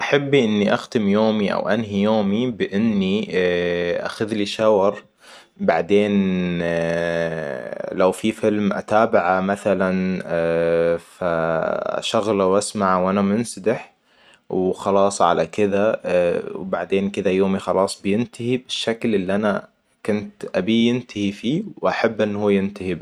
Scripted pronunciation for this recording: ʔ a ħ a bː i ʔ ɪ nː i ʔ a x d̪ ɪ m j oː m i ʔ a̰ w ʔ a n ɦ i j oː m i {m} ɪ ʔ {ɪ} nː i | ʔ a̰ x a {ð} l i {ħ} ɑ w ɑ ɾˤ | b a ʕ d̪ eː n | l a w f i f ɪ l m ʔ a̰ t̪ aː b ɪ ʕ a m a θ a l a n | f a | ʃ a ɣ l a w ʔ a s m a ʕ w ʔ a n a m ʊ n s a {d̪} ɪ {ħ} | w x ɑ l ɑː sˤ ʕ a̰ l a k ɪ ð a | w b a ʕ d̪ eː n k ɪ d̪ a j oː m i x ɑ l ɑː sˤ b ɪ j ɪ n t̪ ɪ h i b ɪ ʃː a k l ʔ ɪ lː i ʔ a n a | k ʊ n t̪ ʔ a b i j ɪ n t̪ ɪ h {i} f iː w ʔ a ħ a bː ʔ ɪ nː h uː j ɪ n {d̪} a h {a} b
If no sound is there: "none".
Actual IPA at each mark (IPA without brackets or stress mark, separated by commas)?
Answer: b, ɪ, ð, ʃ, d̪, ħ, i, t̪, i